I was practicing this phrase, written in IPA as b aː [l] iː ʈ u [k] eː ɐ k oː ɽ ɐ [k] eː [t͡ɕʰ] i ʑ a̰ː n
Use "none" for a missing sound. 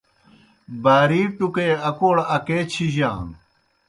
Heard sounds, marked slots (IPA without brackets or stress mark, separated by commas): ɾ, k, k, t͡ɕʰ